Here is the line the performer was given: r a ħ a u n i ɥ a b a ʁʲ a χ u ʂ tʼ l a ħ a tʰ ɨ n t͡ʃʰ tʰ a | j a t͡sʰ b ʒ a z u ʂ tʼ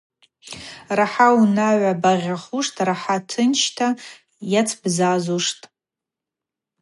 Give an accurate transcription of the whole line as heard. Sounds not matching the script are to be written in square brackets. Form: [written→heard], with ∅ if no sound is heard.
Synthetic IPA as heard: r a ħ a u n [i→a] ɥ a b a ʁʲ a χ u ʂ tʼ [l→r] a ħ a tʰ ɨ n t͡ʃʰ tʰ a | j a t͡sʰ b [ʒ→z] a z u ʂ tʼ